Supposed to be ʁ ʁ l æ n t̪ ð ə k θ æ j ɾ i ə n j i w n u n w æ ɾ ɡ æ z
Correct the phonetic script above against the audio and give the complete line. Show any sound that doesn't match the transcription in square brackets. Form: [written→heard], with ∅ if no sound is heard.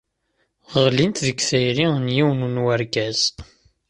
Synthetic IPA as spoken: ʁ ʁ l [æ→i] n t̪ ð ə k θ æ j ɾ i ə n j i w n u n w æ ɾ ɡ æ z